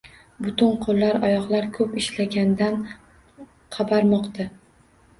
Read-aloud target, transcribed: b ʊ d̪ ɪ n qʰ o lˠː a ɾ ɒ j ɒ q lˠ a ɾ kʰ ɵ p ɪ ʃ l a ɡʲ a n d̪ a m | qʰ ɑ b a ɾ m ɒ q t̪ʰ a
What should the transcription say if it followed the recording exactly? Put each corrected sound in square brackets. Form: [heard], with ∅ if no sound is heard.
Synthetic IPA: b ʊ [t̪] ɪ n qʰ o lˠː a ɾ ɒ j ɒ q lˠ a ɾ kʰ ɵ p ɪ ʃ l a ɡʲ a n d̪ a [n] | qʰ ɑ b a ɾ m ɒ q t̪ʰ a